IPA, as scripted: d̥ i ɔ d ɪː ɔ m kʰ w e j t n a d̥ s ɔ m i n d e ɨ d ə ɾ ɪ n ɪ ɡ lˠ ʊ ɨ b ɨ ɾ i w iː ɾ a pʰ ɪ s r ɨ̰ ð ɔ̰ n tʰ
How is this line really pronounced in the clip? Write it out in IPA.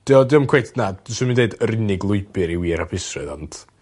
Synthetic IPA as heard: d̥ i ɔ d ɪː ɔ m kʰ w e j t n a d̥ s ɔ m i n d e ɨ d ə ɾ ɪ n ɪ ɡ lˠ ʊ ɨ b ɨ ɾ i w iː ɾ a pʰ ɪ s r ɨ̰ ð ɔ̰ n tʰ